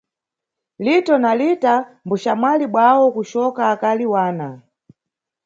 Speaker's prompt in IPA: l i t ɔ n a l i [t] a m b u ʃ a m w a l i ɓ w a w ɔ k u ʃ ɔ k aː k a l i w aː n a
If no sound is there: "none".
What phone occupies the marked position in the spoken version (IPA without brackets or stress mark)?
t